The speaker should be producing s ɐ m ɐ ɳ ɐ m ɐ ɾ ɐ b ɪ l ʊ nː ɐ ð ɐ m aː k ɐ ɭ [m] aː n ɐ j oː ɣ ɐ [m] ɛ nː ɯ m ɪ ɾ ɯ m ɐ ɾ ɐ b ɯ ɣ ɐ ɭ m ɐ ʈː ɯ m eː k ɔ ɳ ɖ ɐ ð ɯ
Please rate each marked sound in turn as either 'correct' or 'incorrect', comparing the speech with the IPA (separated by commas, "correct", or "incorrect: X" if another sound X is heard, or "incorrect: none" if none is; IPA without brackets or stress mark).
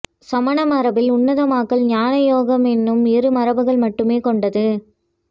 incorrect: ɲ, correct